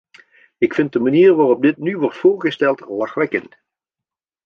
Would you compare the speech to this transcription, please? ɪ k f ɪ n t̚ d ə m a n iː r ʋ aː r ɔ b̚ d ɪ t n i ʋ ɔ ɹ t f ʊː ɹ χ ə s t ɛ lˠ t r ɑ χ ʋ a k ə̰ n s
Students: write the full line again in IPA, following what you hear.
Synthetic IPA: ɪ k f ɪ n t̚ d ə m a n iː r ʋ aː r ɔ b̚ d ɪ t n y ʋ ɔ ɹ t f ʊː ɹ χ ə s t ɛ lˠ t l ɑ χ ʋ ɛ k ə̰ n t